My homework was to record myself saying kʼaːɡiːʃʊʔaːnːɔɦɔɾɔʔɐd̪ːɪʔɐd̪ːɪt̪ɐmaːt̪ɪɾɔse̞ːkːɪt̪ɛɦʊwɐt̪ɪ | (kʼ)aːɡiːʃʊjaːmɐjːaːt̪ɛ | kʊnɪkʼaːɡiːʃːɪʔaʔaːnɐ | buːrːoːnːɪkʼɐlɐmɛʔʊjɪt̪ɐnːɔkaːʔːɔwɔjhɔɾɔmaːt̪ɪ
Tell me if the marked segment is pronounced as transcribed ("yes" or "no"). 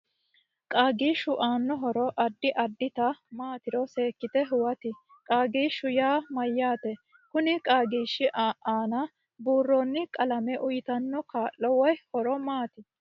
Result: yes